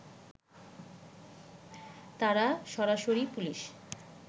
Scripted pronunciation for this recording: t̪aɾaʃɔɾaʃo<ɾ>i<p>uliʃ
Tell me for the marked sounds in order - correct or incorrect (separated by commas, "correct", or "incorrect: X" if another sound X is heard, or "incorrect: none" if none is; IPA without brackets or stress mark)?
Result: correct, correct